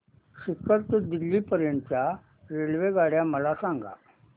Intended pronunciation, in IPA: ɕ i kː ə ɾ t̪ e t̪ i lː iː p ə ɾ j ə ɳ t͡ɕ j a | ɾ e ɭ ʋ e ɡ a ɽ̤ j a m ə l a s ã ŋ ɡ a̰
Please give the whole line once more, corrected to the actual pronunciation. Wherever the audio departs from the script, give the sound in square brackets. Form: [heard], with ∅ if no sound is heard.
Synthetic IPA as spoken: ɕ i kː ə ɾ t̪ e [d̪] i lː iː p ə ɾ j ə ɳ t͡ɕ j a | ɾ e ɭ ʋ e ɡ a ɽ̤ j a m ə l a s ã ŋ ɡ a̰